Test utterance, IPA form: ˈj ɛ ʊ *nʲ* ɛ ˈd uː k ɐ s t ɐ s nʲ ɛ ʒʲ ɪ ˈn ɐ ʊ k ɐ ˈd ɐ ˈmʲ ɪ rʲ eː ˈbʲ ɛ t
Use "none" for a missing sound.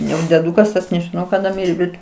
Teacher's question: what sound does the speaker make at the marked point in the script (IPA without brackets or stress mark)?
dʲ